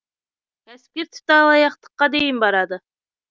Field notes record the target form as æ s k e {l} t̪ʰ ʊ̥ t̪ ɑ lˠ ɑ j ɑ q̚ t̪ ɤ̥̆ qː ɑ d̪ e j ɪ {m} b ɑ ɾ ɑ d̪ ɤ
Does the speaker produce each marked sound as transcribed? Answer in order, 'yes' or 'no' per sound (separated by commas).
no, yes